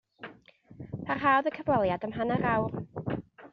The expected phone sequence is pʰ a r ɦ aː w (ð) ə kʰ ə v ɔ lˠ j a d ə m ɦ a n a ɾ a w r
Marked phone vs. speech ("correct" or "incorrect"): correct